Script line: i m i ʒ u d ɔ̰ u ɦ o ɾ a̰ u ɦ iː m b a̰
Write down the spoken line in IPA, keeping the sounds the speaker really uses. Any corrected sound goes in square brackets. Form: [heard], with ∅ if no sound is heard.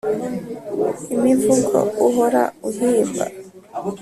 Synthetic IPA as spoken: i m i [v] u [ɡ] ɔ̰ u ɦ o ɾ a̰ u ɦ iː m b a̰